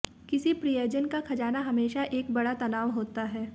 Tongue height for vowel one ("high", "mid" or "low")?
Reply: high